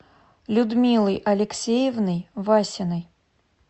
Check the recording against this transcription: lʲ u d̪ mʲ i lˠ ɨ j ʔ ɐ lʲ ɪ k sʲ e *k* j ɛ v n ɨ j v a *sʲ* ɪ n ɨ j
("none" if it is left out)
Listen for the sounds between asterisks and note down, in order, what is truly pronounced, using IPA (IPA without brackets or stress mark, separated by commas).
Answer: none, sʲ